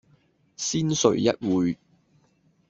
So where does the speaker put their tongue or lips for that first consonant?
tongue tip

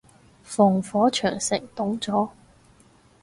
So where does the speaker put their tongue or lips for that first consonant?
lips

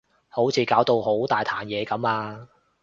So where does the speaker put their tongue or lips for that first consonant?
throat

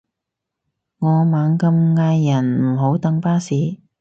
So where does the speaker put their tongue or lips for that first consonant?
velum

